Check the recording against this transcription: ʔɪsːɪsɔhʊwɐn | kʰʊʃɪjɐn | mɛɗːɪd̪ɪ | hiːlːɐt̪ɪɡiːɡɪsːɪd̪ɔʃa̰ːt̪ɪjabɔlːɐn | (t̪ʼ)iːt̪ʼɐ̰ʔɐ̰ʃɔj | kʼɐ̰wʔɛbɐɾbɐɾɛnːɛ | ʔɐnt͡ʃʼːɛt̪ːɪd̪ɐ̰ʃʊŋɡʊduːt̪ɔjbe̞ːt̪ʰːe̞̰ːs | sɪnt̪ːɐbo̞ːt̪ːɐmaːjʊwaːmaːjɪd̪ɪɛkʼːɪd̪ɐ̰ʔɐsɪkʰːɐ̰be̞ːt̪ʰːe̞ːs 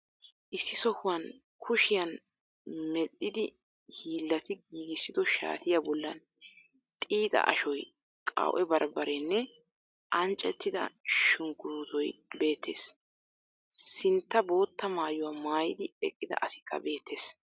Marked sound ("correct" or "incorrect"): correct